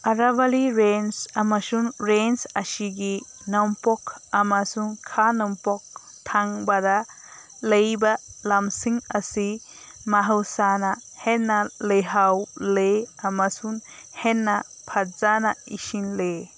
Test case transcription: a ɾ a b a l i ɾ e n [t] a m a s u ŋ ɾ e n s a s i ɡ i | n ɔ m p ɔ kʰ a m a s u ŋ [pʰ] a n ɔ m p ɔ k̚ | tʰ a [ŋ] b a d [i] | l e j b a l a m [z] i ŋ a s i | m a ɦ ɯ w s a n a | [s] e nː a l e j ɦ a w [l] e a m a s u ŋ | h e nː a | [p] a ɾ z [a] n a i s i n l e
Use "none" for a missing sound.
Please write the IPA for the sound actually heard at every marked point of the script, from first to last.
s, kʰ, ŋ, a, s, h, l, pʰ, a

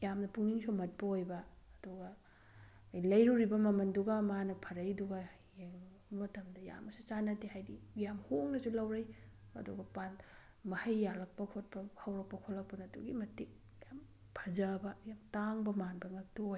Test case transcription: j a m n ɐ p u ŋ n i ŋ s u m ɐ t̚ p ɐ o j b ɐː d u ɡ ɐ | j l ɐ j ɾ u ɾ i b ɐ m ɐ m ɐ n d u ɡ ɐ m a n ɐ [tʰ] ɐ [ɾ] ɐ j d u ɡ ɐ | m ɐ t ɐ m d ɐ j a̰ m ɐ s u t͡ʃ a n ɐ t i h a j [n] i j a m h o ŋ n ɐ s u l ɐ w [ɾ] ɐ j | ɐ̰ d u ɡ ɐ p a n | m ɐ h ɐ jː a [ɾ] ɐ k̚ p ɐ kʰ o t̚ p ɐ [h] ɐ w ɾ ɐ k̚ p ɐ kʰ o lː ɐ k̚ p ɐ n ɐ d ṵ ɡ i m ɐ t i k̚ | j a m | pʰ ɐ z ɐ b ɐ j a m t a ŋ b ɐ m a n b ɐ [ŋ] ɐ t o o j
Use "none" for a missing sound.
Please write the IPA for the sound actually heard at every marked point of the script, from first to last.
pʰ, ɾ, d, ɾ, l, h, ŋ

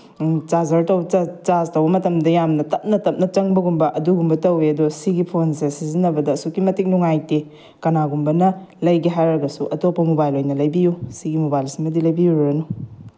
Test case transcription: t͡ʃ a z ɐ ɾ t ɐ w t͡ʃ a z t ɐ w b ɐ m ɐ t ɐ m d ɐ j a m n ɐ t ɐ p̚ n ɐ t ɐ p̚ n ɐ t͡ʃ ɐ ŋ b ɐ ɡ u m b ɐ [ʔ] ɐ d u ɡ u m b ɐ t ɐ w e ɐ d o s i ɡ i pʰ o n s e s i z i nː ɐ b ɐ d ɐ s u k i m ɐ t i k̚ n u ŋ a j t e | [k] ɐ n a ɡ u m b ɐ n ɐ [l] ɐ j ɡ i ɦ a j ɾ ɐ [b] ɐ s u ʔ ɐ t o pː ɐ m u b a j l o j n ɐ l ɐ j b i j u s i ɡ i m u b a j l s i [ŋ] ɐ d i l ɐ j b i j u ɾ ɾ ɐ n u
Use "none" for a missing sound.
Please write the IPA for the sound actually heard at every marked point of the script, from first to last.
ʔ, k, l, ɡ, m

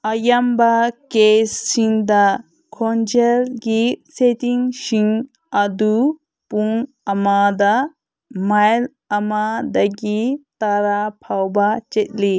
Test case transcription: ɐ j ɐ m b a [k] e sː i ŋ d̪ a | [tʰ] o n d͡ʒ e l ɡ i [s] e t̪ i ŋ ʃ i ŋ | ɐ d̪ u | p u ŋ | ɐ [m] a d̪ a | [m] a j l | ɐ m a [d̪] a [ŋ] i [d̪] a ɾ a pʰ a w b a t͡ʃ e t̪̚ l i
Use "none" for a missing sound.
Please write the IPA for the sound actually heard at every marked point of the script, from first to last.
k, kʰ, s, m, m, d̪, ɡ, t̪

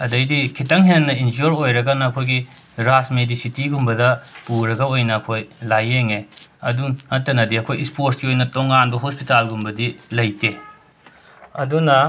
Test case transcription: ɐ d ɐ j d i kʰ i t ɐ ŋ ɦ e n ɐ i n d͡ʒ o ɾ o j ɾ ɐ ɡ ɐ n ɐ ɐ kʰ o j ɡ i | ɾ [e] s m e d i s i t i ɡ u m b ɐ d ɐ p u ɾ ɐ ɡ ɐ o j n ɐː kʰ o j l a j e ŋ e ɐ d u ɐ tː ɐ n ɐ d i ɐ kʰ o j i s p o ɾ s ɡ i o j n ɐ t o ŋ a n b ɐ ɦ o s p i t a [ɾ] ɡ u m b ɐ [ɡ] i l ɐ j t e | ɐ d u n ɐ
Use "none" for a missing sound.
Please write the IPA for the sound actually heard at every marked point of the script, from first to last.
a, l, d

